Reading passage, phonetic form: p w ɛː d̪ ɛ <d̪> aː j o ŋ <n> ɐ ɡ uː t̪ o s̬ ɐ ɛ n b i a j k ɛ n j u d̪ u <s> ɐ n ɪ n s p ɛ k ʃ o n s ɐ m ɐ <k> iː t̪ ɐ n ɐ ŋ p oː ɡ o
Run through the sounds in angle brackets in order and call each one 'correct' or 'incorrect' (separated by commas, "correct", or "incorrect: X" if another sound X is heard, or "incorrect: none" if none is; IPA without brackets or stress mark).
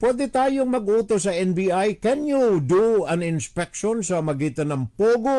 incorrect: t̪, incorrect: m, incorrect: none, incorrect: ɡ